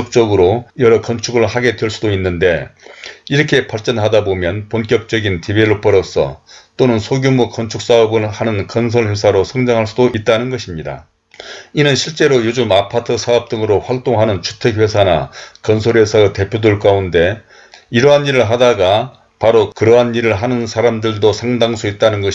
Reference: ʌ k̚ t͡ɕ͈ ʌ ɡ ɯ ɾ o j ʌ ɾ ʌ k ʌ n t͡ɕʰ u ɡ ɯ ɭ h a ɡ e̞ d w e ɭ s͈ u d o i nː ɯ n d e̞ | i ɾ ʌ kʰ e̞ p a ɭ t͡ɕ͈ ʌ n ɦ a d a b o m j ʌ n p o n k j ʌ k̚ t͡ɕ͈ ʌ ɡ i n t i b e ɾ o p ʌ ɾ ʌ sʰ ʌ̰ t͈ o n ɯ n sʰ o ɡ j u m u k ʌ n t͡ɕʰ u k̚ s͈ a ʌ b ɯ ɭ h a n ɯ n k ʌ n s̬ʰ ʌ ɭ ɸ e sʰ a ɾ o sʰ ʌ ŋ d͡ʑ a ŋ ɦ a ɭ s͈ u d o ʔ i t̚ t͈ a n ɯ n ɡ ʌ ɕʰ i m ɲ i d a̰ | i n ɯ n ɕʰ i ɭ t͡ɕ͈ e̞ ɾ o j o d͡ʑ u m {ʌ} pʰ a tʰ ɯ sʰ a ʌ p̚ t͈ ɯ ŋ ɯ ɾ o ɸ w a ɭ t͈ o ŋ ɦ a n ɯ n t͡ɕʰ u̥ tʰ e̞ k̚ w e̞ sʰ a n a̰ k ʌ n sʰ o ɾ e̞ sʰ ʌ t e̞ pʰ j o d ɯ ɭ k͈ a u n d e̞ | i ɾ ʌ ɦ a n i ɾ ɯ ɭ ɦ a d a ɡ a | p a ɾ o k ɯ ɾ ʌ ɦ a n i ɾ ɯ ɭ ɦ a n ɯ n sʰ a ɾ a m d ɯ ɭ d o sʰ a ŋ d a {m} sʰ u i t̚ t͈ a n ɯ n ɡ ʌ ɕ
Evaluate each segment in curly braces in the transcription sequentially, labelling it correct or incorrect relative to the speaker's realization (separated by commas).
incorrect, incorrect